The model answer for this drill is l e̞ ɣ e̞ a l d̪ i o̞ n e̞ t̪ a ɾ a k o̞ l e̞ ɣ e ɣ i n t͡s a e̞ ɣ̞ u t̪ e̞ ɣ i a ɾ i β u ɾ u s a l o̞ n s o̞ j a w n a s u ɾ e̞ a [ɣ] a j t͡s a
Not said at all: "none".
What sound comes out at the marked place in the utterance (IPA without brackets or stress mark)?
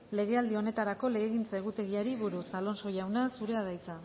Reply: ð